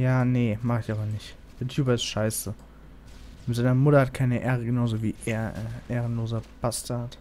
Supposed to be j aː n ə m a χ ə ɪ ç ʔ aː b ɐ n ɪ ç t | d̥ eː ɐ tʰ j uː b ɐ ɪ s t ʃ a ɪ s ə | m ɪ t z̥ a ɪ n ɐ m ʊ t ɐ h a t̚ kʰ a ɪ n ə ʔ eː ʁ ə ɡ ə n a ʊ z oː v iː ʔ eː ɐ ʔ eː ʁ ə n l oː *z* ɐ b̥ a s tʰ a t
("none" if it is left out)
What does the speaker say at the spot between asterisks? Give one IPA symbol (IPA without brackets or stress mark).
z